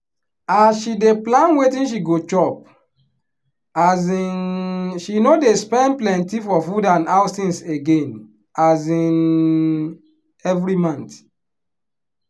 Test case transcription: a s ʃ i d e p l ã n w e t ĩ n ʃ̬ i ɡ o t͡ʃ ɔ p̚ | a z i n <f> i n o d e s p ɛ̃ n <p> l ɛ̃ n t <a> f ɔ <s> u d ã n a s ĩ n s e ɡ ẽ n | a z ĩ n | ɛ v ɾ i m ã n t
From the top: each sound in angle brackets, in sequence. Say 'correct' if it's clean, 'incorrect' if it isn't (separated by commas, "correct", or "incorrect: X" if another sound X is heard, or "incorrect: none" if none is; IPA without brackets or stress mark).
incorrect: ʃ, correct, incorrect: i, incorrect: f